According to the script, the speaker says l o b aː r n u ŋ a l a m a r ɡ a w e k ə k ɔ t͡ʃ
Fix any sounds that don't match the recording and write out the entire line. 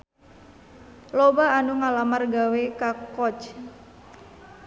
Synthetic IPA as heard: l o b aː n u ŋ a l a m a r ɡ a w e k a k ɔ t͡ʃ